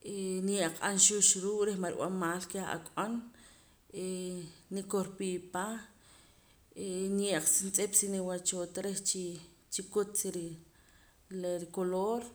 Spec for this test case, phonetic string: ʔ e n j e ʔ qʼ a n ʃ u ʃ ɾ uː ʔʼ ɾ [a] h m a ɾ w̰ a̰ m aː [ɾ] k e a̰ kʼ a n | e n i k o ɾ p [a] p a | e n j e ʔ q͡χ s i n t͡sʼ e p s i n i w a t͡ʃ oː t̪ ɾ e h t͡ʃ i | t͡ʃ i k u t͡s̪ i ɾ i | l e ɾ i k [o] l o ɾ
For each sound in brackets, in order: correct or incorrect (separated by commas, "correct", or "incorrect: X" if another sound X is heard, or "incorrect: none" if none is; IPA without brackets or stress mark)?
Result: incorrect: e, incorrect: l, incorrect: i, correct